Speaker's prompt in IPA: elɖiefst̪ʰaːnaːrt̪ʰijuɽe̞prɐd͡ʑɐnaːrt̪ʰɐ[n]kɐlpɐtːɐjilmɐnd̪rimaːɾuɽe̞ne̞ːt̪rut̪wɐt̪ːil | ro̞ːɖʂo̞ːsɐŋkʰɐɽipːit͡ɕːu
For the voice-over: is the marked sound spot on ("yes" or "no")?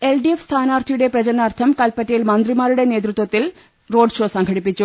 no